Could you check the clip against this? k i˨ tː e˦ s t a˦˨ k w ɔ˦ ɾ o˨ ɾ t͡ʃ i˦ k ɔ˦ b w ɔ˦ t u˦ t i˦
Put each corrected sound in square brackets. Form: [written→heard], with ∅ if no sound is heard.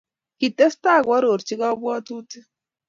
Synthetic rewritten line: k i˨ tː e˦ s t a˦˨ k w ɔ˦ ɾ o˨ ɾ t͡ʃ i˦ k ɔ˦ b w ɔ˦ t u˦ t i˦